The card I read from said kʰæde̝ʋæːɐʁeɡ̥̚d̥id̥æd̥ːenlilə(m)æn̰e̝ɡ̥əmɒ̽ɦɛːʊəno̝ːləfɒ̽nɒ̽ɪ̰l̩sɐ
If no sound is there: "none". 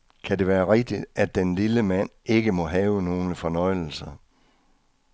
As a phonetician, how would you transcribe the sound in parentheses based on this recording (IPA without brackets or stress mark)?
m